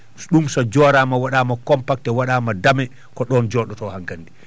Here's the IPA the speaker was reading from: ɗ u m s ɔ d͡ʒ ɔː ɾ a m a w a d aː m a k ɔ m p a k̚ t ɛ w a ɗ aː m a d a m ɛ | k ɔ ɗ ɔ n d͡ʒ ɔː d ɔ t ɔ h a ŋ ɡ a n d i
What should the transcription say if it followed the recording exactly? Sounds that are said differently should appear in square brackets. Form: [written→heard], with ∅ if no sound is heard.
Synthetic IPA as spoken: ɗ u m s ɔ d͡ʒ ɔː ɾ a m a w a [d→ɗ] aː m a k ɔ m p a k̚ t ɛ w a ɗ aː m a d a m ɛ | k ɔ ɗ ɔ n d͡ʒ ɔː [d→ɗ] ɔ t ɔ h a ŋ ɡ a n d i